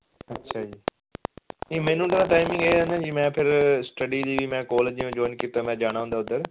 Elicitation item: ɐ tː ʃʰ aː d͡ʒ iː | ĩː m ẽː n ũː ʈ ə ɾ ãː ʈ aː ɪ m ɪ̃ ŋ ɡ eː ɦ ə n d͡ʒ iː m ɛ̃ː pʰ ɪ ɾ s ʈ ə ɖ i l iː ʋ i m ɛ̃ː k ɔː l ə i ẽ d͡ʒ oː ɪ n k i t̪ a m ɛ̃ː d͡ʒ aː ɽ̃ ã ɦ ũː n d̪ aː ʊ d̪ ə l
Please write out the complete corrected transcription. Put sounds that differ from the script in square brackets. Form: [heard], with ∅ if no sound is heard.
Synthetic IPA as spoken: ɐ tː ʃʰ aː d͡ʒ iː | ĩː m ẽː n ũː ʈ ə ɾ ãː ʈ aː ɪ m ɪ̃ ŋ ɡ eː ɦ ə n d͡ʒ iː m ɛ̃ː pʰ ɪ ɾ s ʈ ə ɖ i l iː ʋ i m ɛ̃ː k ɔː l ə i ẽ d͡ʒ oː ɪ n k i t̪ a m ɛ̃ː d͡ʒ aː ɽ̃ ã ɦ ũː n d̪ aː ʊ d̪ ə [ɾ]